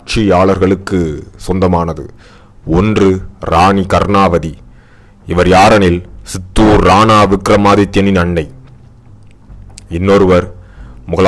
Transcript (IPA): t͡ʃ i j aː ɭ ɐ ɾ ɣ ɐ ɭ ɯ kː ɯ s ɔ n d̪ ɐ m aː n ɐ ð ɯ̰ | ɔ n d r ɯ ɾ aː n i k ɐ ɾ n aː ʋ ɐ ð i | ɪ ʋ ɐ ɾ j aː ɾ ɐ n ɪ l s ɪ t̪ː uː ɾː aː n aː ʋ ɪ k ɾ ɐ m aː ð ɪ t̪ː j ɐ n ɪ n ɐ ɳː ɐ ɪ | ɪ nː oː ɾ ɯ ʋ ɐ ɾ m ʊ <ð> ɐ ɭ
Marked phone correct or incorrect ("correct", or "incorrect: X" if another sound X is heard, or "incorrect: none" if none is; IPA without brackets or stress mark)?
incorrect: ɣ